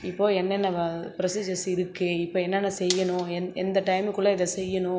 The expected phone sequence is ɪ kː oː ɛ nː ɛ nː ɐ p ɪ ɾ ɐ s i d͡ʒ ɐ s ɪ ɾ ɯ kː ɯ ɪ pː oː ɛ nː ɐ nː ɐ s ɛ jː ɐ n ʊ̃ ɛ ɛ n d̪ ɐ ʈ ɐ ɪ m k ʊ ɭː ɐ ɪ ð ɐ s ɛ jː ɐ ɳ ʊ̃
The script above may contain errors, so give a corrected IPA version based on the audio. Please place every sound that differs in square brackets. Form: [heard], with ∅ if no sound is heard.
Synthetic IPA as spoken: ɪ [pː] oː ɛ nː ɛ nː ɐ p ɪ ɾ ɐ s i d͡ʒ ɐ s ɪ ɾ ɯ kː ɯ ɪ pː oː ɛ nː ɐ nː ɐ s ɛ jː ɐ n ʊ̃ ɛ ɛ n d̪ ɐ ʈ ɐ ɪ m k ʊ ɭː ɐ ɪ ð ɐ s ɛ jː ɐ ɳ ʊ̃